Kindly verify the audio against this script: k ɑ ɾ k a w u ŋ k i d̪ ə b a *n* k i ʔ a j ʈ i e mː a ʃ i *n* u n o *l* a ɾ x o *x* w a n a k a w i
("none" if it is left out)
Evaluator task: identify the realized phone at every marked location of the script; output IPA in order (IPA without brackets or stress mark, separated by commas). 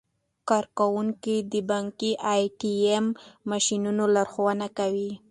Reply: ŋ, n, l, none